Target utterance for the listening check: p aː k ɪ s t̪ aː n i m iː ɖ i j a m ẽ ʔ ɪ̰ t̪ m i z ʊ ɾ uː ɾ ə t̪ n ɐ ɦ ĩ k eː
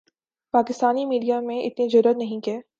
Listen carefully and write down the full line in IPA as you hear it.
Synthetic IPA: p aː k ɪ s t̪ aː n i m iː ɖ i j a m ẽ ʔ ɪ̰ t̪ n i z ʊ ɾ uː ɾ ə t̪ n ɐ ɦ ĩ k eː